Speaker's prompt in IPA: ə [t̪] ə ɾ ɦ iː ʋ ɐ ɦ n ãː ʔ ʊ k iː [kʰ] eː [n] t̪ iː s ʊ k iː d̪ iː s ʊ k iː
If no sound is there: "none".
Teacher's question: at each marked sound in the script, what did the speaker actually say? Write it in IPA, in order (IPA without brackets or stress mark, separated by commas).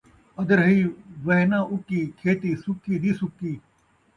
d̪, kʰ, none